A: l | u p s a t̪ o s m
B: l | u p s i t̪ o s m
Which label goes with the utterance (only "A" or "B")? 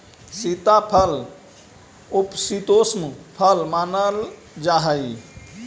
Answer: B